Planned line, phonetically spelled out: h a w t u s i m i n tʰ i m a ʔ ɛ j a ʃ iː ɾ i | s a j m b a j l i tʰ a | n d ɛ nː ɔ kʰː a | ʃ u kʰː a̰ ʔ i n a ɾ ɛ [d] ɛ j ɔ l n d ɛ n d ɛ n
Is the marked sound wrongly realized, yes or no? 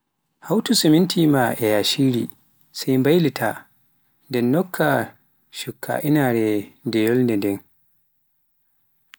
no